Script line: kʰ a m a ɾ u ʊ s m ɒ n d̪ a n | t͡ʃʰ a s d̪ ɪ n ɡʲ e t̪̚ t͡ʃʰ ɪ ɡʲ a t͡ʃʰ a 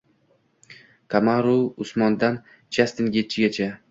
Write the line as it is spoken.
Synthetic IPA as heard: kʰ a m a ɾ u ʊ s m ɒ n d̪ a n | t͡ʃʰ a s t̪ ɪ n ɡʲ e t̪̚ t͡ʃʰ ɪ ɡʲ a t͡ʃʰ a